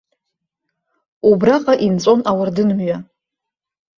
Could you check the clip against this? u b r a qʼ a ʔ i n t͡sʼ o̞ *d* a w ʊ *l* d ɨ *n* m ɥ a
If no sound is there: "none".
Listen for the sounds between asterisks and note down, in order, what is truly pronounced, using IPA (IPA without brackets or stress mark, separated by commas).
n, r, n